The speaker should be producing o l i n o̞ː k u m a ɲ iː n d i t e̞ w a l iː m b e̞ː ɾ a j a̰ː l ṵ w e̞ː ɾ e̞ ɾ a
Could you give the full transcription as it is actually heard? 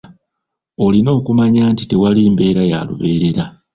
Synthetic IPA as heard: o l i n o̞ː k u m a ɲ aː n t i t e̞ w a l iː m b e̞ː ɾ a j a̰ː l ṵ β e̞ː ɾ e̞ ɾ a